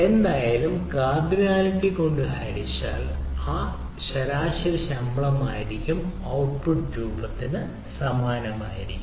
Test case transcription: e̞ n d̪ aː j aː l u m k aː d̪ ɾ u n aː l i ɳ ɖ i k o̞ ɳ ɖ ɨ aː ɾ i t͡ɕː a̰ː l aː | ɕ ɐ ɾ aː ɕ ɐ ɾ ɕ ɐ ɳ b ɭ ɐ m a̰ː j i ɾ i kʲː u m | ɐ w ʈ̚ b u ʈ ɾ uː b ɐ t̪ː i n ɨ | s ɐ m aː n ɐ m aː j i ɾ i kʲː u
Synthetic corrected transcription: e̞ n d̪ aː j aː l u m k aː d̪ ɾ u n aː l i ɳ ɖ i k o̞ ɳ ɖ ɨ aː ɾ i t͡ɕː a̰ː l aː | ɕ ɐ ɾ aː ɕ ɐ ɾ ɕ ɐ m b ɭ ɐ m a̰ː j i ɾ i kʲː u m | ɐ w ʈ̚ p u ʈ ɾ uː b ɐ t̪ː i n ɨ | s ɐ m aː n ɐ m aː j i ɾ i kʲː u

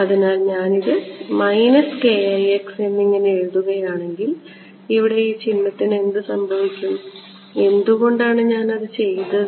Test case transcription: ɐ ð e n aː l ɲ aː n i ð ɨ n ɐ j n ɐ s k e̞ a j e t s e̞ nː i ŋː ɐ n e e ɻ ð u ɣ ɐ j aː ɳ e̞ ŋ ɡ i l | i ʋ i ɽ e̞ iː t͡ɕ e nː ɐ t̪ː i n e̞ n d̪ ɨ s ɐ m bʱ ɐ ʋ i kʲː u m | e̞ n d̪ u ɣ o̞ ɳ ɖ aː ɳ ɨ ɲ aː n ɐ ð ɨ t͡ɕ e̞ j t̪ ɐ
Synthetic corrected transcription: ɐ ð i n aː l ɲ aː n i ð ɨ m ɐ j n ɐ s k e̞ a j e k s e̞ nː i ŋː ɐ n e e ɻ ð u ɣ ɐ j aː ɳ e̞ ŋ ɡ i l | i ʋ i ɽ e̞ iː t͡ɕ i nː ɐ t̪ː i n e̞ n d̪ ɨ s ɐ m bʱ ɐ ʋ i kʲː u m | e̞ n d̪ u ɣ o̞ ɳ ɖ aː ɳ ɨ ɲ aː n ɐ ð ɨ t͡ɕ e̞ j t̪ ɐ

